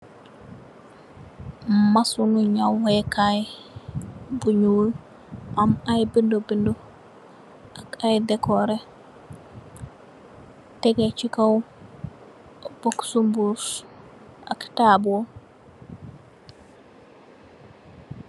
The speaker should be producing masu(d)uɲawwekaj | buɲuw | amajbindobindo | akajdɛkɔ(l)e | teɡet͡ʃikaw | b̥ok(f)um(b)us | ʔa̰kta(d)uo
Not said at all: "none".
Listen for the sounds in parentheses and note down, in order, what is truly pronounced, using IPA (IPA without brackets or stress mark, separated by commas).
n, ɾ, s, b, b